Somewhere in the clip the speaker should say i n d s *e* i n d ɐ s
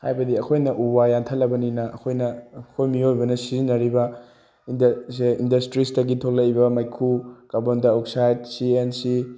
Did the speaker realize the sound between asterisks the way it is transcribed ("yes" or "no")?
yes